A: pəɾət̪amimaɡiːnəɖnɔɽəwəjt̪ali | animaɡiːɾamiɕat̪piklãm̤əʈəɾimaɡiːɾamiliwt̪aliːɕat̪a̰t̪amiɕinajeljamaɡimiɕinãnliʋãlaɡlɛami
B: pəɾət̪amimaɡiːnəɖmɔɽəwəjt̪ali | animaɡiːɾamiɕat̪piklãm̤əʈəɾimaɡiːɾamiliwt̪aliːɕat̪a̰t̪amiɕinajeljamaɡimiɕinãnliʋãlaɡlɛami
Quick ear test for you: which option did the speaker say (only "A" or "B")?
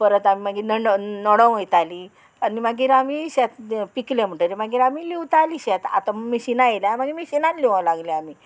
A